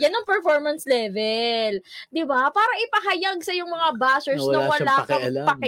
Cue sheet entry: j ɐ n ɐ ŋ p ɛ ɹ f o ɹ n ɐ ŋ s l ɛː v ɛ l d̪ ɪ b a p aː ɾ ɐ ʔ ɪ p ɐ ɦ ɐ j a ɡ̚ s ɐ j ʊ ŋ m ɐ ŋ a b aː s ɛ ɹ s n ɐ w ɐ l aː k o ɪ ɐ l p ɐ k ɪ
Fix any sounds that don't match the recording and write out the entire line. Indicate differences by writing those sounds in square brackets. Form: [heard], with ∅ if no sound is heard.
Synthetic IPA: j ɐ n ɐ ŋ p ɛ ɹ f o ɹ [m] ɐ [n] s l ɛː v ɛ l d̪ ɪ b a p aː ɾ ɐ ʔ ɪ p ɐ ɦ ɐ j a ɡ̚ s ɐ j ʊ ŋ m ɐ ŋ a b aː s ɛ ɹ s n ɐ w ɐ l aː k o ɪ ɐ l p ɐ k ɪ